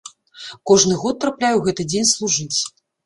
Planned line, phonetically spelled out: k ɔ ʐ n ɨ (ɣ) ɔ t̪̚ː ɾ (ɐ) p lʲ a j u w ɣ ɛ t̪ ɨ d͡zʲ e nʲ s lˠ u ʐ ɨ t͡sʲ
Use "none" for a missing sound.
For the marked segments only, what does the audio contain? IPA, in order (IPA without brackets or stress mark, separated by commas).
ɣ, a